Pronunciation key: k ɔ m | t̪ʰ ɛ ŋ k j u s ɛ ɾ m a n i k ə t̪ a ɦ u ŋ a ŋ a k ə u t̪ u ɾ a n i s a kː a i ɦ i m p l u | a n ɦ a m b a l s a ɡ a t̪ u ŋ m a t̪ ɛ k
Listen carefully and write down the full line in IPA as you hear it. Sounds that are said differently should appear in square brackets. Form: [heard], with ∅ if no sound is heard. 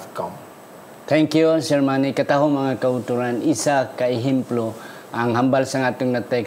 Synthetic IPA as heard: k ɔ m | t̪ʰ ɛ ŋ k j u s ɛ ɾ m a n i k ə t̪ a ɦ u [m] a ŋ a k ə u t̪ u ɾ a n i s a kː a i ɦ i m p l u | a [ŋ] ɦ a m b a l s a [ŋ] a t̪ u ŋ [n] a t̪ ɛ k